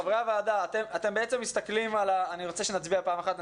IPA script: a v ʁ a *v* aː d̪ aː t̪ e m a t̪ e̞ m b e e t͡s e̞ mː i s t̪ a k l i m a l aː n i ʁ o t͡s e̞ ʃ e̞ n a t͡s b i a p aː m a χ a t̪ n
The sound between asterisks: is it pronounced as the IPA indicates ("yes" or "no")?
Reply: yes